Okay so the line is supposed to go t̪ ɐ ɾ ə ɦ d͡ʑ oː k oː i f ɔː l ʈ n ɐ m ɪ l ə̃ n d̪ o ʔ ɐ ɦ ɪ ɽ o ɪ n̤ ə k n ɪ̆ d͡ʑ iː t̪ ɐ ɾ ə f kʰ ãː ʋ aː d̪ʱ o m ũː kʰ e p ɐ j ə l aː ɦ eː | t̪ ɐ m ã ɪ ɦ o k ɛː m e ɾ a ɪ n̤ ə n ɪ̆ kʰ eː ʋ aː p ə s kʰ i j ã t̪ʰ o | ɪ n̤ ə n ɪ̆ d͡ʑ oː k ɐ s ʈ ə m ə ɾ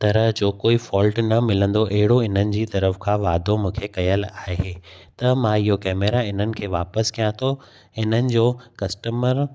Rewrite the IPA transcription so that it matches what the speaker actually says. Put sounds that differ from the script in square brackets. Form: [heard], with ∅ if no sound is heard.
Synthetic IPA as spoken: t̪ ɐ ɾ ə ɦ d͡ʑ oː k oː i f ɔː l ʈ n ɐ m ɪ l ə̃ n d̪ o ʔ ɐ ɦ ɪ ɽ o ɪ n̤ ə [∅] n ɪ̆ d͡ʑ iː t̪ ɐ ɾ ə f kʰ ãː ʋ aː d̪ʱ o m ũː kʰ e [k] ɐ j ə l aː ɦ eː | t̪ ɐ m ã ɪ ɦ o k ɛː m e ɾ a ɪ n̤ ə n ɪ̆ kʰ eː ʋ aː p ə s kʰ i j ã t̪ʰ o | ɪ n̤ ə n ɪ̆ d͡ʑ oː k ɐ s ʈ ə m ə ɾ